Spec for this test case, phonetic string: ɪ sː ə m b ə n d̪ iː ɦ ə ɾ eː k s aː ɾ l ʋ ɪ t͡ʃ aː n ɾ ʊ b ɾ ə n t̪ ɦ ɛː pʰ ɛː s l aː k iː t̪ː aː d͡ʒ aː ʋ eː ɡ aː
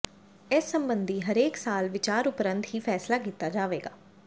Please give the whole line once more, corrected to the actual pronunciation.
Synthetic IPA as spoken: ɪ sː ə m b ə n d̪ iː ɦ ə ɾ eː k s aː l ʋ ɪ t͡ʃ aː ɾ ʊ p ɾ ə n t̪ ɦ iː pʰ ɛː s l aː k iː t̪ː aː d͡ʒ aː ʋ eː ɡ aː